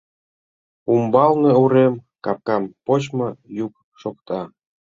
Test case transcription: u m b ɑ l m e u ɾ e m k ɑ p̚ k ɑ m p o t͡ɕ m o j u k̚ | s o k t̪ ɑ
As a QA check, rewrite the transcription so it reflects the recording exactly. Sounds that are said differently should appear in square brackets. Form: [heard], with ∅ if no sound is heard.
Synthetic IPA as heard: u m b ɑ l [n] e u ɾ e m k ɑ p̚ k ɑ m p o t͡ɕ m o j u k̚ | [ʃ] o k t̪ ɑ